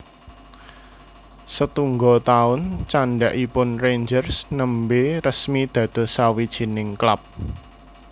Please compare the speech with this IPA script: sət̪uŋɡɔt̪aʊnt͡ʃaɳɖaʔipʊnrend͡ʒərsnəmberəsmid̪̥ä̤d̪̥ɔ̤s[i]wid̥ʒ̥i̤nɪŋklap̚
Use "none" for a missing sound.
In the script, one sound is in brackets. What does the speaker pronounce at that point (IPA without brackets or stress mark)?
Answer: a